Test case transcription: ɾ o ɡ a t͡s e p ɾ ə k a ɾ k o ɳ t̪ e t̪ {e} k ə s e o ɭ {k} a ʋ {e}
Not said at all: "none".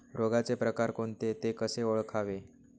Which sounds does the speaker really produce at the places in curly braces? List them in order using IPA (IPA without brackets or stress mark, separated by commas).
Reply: e, kʰ, e